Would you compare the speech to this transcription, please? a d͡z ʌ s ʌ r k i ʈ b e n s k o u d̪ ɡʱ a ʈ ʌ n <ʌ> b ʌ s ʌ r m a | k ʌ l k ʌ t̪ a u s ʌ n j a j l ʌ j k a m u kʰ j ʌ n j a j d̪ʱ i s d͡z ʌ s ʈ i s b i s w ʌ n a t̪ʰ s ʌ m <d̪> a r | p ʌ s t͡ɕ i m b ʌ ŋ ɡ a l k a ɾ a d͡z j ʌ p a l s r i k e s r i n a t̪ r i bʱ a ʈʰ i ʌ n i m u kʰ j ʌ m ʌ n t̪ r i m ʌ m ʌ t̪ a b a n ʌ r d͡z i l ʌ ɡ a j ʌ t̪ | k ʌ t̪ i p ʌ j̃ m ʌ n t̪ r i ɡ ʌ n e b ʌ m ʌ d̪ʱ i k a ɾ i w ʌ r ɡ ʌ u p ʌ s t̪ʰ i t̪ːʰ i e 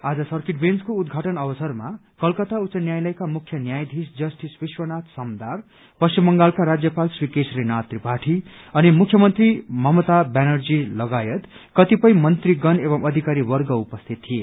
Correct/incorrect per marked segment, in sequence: correct, correct

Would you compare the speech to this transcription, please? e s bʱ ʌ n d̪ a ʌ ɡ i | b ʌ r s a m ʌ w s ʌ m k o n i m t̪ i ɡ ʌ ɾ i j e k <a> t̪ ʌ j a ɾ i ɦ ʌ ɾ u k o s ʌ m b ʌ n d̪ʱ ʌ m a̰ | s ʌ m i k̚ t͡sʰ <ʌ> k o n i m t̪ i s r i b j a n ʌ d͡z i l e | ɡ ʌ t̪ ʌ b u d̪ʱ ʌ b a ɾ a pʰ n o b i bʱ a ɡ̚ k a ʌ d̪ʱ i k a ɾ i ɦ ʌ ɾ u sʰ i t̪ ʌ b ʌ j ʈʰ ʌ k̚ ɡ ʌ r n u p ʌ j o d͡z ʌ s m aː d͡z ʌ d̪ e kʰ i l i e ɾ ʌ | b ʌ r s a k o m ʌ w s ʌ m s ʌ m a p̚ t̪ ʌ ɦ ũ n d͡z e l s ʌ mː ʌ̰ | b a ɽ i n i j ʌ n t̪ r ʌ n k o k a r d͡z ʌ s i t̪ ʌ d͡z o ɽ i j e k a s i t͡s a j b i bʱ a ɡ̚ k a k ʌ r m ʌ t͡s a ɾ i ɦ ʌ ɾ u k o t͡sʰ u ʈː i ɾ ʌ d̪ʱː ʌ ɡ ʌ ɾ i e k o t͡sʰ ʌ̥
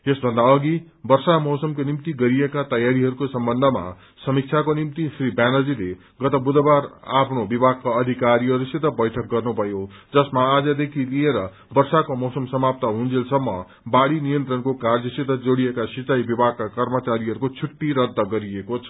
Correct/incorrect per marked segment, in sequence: correct, incorrect: a

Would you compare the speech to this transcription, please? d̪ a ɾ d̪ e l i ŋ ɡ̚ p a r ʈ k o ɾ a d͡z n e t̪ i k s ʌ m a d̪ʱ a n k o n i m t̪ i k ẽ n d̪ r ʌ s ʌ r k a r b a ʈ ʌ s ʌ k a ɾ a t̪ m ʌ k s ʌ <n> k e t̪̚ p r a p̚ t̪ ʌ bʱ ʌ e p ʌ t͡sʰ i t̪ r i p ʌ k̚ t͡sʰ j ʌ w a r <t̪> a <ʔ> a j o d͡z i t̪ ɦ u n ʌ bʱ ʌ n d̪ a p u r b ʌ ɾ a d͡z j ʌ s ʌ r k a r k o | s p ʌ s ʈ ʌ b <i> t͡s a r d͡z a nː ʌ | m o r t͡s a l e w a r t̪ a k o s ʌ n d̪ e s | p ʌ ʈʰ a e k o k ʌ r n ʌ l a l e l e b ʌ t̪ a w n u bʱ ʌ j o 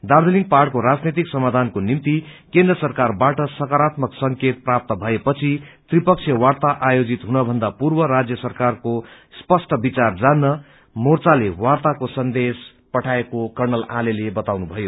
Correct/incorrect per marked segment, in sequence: incorrect: ŋ, correct, correct, correct

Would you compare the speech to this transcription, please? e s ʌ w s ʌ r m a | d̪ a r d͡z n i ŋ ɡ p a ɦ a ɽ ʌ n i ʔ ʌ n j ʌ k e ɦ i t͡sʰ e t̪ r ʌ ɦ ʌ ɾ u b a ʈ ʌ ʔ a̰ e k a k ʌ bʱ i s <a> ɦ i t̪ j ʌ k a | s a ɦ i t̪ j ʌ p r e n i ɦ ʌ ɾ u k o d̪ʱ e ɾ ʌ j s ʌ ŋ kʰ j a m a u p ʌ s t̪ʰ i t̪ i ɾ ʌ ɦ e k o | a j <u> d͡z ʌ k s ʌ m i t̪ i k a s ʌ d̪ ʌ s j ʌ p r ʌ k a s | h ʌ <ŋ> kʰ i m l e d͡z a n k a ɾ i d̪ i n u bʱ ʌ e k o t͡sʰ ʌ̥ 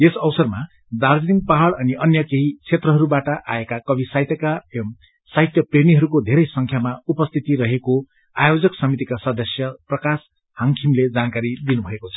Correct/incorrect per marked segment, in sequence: correct, incorrect: o, correct

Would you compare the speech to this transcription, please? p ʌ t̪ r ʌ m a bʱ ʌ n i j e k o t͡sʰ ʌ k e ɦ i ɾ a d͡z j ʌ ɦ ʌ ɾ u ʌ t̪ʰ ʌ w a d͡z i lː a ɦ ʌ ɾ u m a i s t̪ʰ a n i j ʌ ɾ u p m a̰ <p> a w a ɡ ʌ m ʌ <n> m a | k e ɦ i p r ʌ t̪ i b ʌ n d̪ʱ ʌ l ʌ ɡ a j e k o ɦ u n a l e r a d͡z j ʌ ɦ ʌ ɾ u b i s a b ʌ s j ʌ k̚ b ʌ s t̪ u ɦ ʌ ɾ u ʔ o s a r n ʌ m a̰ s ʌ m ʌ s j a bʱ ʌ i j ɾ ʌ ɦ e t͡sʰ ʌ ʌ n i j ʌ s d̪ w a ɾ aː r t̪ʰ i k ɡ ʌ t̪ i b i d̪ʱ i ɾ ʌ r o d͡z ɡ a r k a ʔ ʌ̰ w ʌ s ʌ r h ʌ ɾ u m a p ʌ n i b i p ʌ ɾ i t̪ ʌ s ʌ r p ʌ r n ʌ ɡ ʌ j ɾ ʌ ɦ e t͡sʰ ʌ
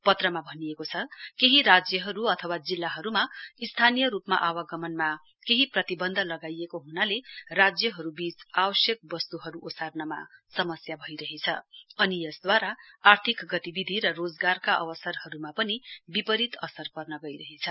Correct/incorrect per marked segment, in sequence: incorrect: ʔ, correct

